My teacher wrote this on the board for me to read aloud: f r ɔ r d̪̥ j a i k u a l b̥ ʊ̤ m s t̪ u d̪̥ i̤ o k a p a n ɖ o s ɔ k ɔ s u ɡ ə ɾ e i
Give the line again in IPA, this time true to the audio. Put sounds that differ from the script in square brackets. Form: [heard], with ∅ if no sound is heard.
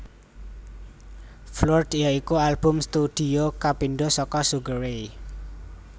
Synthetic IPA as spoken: f [l] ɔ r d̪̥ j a i k u a l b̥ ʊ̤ m s t̪ u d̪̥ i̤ o k a p [i] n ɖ o s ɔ k ɔ s u ɡ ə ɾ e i